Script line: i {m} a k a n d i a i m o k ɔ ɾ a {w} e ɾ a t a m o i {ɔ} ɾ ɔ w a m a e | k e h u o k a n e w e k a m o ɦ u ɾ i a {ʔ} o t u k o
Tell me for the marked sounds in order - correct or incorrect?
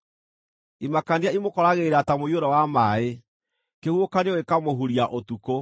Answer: correct, incorrect, incorrect, correct

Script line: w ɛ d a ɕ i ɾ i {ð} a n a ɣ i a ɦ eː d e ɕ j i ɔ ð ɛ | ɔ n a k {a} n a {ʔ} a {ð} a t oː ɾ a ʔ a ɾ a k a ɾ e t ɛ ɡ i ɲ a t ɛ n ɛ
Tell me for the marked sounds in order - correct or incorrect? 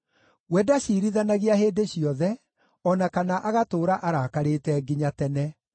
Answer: correct, correct, correct, incorrect

